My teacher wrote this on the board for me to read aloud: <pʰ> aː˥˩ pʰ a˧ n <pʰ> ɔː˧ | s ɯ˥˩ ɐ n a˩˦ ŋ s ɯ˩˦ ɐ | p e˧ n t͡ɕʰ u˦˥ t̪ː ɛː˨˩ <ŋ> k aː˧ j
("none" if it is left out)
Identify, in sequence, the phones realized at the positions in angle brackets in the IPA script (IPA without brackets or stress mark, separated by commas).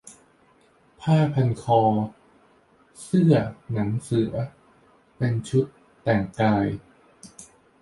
pʰ, kʰ, ŋ